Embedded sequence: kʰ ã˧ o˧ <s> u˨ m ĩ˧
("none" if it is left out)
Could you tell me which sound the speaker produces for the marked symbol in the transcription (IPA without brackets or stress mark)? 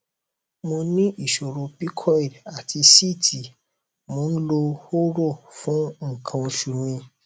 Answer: ʃ